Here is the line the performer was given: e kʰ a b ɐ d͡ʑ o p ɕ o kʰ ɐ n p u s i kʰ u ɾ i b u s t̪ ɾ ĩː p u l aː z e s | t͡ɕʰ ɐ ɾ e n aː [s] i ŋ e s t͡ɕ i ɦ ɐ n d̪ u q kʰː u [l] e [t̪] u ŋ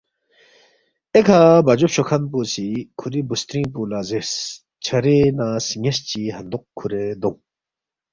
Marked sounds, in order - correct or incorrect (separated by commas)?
correct, incorrect, incorrect